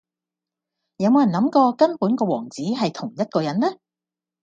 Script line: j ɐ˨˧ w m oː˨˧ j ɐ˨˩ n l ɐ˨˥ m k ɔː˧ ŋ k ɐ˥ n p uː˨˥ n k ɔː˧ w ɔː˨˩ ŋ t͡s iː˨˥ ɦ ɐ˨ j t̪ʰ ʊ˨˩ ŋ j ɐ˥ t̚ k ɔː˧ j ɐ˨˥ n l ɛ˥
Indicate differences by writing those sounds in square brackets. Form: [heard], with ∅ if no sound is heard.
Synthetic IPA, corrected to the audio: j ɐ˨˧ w m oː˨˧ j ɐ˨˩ n l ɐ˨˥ m k ɔː˧ [∅] k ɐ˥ n p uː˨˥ n k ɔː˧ w ɔː˨˩ ŋ t͡s iː˨˥ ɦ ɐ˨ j t̪ʰ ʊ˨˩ ŋ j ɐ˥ t̚ k ɔː˧ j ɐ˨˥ n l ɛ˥